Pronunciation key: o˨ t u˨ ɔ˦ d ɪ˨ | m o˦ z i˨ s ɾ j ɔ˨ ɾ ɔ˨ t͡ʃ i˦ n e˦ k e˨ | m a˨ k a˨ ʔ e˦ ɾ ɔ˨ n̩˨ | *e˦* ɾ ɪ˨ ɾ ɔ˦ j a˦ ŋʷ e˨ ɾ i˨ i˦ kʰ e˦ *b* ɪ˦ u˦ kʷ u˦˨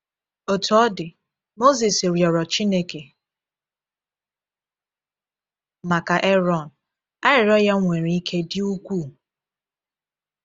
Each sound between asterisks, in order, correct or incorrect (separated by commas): incorrect, incorrect